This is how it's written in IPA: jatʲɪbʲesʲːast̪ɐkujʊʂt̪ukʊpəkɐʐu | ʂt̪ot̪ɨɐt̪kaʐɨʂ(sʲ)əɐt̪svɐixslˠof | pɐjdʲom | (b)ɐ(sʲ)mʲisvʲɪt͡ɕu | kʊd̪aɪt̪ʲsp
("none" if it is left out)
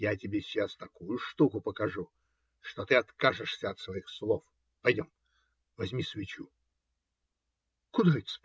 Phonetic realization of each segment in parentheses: sʲ, v, zʲ

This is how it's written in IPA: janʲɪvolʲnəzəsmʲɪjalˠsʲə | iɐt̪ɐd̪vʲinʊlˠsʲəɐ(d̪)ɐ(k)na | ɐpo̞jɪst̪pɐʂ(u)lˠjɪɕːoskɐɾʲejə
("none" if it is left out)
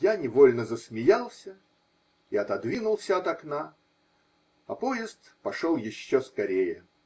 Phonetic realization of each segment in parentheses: t̪, k, o

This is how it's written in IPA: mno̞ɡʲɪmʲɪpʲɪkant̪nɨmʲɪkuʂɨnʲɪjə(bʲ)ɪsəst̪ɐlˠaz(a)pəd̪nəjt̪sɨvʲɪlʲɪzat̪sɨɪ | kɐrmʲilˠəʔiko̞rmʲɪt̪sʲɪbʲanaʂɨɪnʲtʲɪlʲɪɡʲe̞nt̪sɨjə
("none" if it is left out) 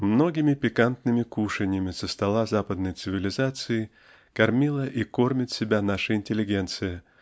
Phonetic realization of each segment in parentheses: mʲ, a

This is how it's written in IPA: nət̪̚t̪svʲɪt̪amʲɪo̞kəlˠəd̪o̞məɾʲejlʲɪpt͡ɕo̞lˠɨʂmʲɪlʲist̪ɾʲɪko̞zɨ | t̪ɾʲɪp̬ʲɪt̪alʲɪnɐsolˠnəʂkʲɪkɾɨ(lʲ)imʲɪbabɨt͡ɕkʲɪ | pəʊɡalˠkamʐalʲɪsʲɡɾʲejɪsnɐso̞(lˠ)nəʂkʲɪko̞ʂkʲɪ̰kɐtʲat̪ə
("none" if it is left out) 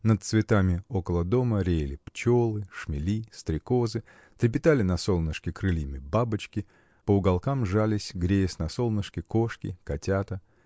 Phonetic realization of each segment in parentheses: lʲ, lˠ

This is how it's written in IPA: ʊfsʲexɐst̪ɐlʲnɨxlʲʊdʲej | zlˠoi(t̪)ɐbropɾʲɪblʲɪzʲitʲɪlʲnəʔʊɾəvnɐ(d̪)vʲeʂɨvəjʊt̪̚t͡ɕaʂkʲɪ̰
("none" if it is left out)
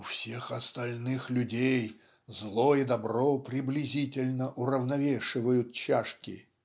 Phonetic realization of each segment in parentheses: d̪, none

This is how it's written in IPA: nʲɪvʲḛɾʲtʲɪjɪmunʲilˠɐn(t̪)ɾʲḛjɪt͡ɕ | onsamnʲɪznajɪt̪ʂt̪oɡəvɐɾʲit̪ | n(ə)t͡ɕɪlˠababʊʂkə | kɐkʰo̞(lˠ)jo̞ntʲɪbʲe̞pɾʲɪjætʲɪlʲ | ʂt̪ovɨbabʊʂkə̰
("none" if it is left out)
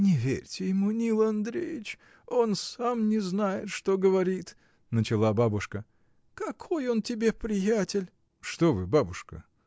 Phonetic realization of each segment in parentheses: d̪, ə, none

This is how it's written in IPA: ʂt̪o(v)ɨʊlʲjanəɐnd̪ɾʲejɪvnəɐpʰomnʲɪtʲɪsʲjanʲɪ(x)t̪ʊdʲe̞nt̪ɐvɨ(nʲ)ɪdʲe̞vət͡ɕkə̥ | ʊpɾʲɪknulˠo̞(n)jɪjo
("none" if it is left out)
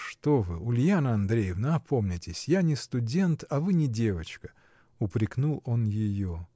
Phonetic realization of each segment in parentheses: v, s, nʲ, n

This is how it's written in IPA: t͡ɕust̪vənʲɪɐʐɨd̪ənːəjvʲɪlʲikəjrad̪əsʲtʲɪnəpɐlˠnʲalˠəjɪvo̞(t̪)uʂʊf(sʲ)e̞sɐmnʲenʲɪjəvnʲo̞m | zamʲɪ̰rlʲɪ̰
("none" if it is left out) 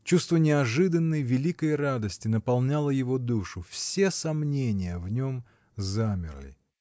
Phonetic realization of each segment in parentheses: d̪, sʲ

